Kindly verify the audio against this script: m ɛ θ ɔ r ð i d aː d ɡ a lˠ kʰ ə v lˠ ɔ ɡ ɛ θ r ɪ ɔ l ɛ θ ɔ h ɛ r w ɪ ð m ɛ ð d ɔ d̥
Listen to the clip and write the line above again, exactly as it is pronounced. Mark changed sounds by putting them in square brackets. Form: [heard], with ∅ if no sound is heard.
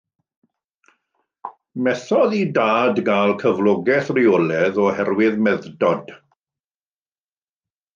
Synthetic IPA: m ɛ θ ɔ [∅] ð i d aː d ɡ a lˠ kʰ ə v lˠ ɔ ɡ ɛ θ r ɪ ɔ l ɛ [ð] ɔ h ɛ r w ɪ ð m ɛ ð d ɔ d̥